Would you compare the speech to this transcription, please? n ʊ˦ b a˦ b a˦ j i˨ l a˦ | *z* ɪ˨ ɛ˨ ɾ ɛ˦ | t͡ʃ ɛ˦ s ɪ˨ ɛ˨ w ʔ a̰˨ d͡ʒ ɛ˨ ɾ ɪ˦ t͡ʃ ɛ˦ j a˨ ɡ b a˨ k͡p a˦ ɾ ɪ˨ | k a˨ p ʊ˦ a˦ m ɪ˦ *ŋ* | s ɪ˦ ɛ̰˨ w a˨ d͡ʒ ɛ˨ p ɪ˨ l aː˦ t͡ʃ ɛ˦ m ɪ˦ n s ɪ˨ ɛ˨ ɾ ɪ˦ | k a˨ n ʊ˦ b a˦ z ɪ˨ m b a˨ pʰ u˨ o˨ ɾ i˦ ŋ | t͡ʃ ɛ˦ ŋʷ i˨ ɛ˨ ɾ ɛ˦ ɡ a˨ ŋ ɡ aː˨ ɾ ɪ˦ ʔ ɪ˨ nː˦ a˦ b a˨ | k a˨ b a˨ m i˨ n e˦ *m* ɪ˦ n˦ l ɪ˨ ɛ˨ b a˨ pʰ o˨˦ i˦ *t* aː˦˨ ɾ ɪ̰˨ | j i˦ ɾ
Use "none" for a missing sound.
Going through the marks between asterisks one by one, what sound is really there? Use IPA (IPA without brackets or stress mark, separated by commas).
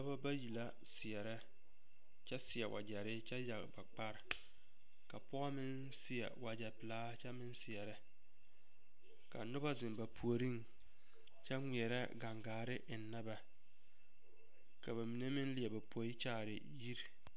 s, n, m, t͡ʃ